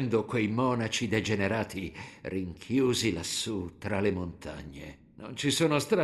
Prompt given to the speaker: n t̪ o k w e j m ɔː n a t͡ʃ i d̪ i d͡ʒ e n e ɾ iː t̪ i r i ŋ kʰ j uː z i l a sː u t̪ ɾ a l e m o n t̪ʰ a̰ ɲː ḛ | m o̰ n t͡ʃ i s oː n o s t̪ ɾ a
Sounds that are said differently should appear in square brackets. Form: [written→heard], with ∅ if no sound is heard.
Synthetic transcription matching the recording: n [t̪→d̪] o k w e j m ɔː n a t͡ʃ i d̪ [i→e] d͡ʒ e n e ɾ [iː→aː] t̪ i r i ŋ kʰ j uː z i l a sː u t̪ ɾ a l e m o n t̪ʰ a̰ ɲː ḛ | [m→n] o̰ n t͡ʃ i s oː n o s t̪ ɾ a